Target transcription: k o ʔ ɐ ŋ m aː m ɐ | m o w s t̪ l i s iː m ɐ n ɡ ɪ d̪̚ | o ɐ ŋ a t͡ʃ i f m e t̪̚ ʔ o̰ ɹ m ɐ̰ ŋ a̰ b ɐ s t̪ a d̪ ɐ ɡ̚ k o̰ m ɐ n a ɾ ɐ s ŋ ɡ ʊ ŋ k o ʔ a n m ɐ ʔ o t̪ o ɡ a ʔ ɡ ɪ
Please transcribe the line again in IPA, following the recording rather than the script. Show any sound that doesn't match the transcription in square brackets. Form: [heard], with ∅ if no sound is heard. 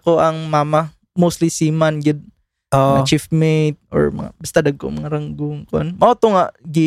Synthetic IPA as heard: k o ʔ ɐ ŋ m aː m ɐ | m o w s t̪ l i s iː m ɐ n ɡ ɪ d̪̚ | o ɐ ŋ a t͡ʃ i f m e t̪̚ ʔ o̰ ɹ m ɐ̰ ŋ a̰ b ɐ s t̪ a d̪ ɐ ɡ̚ k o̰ m ɐ [ŋ] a ɾ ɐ [∅] ŋ ɡ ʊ ŋ k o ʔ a n m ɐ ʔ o t̪ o [ŋ] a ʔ ɡ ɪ